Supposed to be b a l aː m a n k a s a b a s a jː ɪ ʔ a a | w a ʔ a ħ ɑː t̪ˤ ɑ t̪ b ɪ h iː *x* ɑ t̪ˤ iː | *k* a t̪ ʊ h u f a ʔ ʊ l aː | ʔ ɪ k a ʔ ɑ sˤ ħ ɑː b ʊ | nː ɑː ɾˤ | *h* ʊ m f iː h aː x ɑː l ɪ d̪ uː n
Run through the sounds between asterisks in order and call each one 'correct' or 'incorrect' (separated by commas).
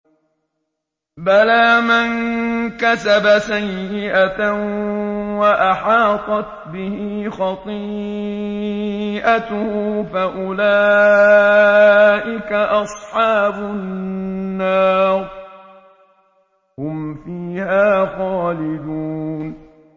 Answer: correct, incorrect, correct